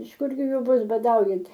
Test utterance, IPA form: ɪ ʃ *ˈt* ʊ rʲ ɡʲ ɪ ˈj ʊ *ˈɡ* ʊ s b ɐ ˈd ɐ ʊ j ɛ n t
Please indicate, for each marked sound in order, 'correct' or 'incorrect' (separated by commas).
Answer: incorrect, incorrect